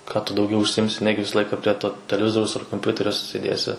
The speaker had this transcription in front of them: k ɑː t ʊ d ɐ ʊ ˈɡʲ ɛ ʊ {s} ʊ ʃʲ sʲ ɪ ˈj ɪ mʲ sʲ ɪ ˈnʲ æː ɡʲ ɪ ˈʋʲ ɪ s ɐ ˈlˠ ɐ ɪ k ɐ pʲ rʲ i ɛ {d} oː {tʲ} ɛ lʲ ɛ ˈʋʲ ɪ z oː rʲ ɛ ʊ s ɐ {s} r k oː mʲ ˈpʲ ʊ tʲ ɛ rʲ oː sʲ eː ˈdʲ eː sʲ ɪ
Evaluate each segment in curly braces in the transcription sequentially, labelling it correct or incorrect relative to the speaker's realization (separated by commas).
incorrect, incorrect, correct, incorrect